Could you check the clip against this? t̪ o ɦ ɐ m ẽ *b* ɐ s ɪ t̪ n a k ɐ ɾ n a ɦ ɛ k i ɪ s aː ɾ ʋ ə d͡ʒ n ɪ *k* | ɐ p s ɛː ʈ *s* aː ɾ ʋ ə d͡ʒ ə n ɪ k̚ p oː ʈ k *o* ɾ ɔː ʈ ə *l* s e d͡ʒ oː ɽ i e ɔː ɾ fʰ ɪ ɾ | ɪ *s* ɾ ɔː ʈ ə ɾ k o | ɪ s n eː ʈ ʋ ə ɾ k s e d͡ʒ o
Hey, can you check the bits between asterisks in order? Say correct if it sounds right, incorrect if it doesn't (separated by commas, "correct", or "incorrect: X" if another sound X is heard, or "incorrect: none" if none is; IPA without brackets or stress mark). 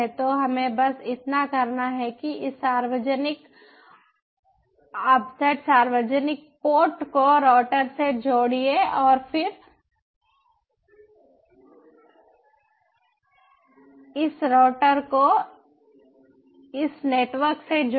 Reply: correct, correct, correct, correct, incorrect: ɾ, correct